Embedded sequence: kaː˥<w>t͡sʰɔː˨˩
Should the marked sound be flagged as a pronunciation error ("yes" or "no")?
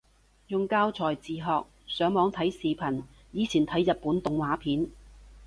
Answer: no